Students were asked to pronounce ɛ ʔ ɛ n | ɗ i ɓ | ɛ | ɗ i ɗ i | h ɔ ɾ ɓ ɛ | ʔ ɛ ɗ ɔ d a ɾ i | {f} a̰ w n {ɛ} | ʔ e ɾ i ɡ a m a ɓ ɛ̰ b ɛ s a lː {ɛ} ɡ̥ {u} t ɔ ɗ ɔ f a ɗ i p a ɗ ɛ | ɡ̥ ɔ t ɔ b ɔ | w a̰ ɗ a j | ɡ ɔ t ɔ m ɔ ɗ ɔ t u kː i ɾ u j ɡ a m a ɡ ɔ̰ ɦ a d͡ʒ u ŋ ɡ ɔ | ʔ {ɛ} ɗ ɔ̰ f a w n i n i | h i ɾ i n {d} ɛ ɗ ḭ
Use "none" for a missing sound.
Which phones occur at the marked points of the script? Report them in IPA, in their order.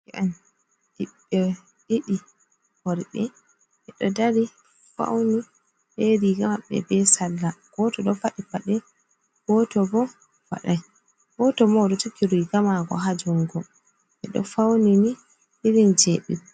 f, i, a, ɔ, ɛ, d͡ʒ

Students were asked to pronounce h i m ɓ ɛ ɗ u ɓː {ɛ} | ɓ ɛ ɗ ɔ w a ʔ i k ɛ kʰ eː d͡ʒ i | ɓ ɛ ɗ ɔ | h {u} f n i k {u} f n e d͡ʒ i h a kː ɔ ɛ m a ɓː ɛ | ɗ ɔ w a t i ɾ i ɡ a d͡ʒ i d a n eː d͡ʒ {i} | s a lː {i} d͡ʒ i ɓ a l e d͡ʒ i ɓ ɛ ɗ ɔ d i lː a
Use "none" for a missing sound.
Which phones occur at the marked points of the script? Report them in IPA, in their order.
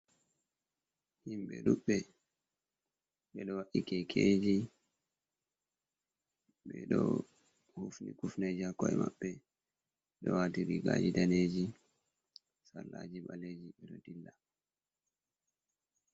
ɛ, u, u, i, a

